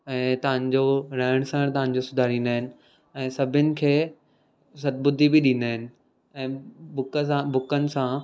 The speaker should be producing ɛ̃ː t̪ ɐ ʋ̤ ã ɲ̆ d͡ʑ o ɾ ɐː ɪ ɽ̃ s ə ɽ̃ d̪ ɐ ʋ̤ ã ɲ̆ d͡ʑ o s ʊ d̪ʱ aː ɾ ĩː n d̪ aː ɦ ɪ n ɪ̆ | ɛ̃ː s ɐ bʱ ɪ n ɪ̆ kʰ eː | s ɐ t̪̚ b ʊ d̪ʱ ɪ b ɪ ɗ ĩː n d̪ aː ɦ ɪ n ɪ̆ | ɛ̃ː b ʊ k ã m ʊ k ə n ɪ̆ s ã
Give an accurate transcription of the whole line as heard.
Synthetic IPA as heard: ɛ̃ː t̪ ɐ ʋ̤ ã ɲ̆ d͡ʑ o ɾ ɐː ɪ ɽ̃ s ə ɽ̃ t̪ ɐ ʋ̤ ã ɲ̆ d͡ʑ o s ʊ d̪ʱ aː ɾ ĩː n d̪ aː ɦ ɪ n ɪ̆ | ɛ̃ː s ɐ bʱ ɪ n ɪ̆ kʰ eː | s ɐ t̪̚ b ʊ d̪ʱ i b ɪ ɗ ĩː n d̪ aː ɦ ɪ n ɪ̆ | ɛ̃ː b ʊ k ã b ʊ k ə n ɪ̆ s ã